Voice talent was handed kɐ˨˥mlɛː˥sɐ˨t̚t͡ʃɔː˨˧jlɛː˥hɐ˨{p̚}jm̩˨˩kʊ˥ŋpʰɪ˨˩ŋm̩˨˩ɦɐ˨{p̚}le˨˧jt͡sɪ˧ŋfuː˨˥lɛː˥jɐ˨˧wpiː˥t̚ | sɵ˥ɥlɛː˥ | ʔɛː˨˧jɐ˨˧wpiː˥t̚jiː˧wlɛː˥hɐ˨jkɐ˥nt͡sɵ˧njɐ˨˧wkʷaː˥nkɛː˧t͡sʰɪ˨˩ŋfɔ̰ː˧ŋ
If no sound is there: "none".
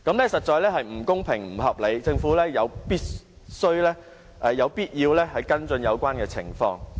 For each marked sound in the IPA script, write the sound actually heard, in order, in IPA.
none, p̚

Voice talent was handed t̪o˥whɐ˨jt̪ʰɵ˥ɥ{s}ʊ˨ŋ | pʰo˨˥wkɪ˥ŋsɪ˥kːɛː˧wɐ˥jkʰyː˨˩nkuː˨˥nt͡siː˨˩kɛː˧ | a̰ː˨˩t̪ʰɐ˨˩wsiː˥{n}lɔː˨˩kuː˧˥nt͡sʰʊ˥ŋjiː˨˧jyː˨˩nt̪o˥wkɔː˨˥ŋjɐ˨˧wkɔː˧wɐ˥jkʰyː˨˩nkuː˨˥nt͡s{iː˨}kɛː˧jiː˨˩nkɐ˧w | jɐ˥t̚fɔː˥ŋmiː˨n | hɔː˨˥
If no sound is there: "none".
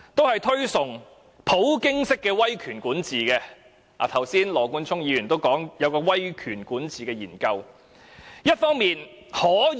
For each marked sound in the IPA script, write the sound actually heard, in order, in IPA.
s, n, iː˨

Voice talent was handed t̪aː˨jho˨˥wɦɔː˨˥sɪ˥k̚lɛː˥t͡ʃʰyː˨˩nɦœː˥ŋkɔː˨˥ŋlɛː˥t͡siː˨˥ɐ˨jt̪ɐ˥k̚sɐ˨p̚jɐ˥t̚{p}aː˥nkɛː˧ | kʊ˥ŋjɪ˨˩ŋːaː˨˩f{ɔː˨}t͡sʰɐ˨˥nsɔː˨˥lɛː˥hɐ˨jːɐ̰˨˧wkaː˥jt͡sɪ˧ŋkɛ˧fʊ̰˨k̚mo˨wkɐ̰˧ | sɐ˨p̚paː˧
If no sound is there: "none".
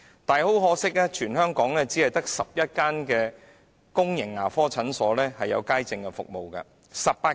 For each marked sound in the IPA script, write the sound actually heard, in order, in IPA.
k, ɔː˥

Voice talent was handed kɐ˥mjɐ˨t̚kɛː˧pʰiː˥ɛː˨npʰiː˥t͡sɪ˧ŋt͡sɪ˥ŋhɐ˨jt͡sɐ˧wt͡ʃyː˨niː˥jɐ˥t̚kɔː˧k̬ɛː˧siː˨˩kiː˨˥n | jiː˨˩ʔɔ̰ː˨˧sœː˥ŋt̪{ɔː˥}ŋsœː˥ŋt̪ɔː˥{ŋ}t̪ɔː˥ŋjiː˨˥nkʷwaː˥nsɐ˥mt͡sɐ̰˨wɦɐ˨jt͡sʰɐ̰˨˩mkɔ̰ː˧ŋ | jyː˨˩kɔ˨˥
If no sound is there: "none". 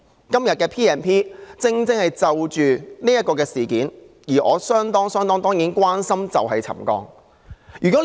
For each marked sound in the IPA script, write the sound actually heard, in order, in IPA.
ɔː˥, ŋ

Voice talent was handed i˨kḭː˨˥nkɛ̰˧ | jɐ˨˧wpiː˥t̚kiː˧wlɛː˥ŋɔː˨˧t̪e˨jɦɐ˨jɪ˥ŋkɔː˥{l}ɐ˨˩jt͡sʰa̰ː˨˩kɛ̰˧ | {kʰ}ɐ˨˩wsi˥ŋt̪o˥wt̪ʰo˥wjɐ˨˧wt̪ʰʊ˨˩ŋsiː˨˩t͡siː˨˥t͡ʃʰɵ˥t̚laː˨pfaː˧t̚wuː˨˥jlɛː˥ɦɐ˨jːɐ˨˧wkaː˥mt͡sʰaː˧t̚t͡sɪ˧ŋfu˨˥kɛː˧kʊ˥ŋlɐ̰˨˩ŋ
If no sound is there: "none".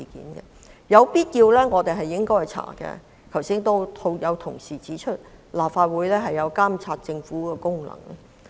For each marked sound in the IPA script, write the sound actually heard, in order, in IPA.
none, kʰ

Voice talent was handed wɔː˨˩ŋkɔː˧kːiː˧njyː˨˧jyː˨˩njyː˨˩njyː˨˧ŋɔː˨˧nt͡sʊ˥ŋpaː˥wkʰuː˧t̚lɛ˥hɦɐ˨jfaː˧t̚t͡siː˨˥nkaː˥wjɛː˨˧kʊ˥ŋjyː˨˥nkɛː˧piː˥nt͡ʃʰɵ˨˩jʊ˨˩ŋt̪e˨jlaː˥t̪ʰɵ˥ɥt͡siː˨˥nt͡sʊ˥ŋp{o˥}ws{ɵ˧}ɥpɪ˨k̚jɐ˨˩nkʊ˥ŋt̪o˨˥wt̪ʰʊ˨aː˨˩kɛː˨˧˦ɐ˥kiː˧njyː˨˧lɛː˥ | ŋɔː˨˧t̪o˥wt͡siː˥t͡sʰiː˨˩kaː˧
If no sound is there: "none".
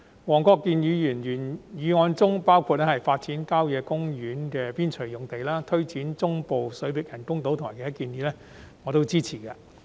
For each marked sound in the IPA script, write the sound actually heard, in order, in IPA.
o˨, ɵ˨˥

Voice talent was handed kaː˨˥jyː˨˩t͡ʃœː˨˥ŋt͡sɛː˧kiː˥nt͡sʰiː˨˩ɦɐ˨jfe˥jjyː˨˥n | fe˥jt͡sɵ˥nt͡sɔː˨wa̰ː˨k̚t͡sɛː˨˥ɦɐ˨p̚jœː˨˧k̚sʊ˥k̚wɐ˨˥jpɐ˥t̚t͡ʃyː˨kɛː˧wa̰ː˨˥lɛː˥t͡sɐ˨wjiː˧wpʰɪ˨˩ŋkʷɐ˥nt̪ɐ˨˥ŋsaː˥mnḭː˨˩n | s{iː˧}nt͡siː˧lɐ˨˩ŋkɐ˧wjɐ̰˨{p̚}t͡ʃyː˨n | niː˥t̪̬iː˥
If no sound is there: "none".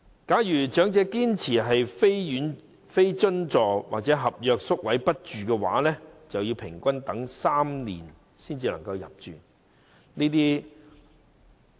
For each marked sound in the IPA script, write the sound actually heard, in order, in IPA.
iː˥, p̚

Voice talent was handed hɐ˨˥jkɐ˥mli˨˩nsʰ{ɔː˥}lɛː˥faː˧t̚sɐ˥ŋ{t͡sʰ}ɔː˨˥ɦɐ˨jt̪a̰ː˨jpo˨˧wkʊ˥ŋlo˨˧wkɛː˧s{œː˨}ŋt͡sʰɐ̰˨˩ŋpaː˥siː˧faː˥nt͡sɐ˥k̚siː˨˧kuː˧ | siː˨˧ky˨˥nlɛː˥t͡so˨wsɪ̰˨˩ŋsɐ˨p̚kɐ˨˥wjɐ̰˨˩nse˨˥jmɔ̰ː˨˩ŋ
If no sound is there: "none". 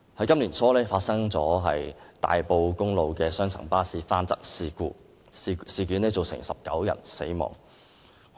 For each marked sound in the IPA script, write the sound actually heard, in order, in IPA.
ɔː˥, t͡s, œː˥

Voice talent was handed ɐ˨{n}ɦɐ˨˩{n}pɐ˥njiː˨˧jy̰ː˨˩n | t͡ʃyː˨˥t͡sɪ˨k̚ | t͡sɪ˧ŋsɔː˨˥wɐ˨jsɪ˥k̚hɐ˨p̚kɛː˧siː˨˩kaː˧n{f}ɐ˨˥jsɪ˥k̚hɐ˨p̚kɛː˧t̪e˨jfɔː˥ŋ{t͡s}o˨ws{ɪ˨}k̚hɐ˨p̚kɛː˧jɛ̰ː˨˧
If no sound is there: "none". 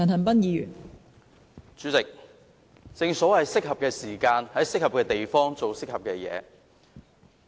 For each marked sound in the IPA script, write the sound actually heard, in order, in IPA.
n, n, h, t͡s, ɪ˥

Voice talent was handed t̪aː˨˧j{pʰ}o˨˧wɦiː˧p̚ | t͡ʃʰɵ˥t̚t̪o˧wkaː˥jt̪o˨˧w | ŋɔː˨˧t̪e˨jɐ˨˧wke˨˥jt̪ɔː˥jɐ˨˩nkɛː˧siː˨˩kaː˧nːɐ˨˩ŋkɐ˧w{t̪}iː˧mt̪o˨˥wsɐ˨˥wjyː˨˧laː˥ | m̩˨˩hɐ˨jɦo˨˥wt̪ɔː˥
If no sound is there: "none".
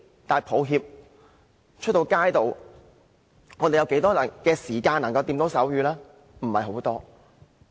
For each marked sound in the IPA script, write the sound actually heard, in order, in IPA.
pʰ, t̪

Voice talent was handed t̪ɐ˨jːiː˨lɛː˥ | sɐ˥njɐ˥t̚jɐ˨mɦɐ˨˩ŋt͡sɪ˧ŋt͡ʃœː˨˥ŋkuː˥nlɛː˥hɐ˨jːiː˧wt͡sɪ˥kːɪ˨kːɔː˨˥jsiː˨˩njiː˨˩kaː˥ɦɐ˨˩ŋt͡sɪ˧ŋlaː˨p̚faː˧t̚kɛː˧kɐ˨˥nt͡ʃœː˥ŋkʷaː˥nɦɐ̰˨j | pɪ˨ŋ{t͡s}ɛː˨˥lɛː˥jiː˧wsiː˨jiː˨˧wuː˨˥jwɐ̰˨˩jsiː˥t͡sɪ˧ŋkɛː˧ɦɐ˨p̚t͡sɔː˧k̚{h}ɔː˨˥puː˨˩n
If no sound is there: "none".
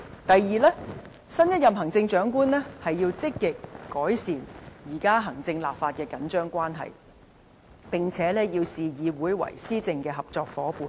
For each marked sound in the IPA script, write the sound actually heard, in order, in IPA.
t͡sʰ, f

